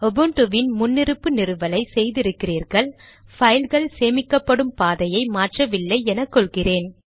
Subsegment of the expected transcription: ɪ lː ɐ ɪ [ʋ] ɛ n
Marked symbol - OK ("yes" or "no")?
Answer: no